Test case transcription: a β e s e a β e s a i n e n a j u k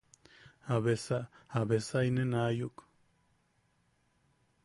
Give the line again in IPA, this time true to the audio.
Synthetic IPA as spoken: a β e s a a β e s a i n e n a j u k